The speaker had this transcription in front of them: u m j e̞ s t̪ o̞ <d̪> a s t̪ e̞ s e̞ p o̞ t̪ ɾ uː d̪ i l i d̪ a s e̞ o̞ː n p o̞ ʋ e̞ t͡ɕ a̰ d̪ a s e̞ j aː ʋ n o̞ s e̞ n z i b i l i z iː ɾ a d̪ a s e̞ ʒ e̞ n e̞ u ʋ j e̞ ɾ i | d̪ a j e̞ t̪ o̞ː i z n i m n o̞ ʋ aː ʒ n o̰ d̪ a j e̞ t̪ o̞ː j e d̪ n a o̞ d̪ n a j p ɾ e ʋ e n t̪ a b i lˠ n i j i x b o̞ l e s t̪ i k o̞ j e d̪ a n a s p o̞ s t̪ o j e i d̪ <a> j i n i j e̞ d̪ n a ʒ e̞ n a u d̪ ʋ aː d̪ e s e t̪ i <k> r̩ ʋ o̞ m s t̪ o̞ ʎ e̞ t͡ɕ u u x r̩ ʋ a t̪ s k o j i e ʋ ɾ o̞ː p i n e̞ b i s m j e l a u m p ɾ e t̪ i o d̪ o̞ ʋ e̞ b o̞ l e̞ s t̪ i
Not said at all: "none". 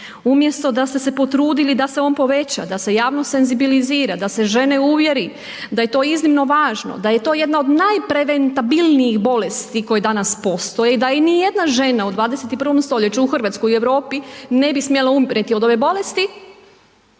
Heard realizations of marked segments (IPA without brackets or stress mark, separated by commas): d̪, a, p